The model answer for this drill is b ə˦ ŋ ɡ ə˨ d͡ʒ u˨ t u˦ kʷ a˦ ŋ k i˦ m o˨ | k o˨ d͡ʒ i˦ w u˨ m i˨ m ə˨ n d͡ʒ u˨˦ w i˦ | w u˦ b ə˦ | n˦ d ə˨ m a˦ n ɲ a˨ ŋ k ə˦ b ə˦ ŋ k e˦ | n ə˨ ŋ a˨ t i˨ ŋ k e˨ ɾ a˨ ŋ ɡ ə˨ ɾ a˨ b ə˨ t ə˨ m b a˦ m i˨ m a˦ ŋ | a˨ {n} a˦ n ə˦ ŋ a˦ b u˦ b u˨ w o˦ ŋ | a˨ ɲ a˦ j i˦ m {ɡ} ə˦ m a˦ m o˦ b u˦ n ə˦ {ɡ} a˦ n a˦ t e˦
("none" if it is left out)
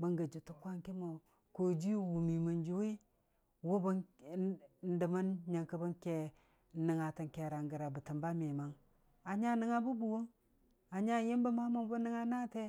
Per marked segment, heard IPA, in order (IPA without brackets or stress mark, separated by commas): ɲ, b, ŋ